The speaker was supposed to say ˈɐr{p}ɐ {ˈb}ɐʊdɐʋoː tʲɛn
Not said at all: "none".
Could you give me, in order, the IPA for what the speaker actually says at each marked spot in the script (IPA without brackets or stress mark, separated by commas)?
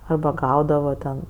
b, ɡ